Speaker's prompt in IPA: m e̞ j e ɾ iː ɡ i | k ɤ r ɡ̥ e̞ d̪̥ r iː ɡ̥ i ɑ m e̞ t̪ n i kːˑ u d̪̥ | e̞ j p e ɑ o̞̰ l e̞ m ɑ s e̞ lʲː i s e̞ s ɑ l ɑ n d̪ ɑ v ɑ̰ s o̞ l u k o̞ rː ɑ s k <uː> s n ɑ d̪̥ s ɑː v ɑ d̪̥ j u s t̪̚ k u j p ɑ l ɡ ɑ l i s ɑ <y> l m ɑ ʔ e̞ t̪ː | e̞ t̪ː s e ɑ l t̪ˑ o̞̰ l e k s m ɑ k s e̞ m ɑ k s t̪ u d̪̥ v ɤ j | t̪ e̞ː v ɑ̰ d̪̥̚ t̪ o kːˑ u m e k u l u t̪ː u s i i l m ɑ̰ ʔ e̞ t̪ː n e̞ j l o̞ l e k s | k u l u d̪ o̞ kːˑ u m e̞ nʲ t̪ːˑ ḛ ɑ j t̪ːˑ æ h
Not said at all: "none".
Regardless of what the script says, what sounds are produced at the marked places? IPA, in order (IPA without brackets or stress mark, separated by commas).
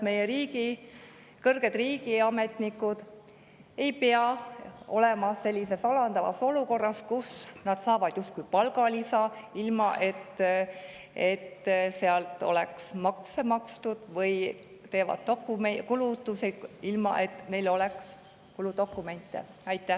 u, i